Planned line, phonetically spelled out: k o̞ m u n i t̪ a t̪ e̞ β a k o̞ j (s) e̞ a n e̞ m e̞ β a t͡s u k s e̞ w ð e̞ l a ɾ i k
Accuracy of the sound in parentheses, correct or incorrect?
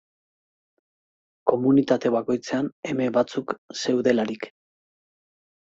incorrect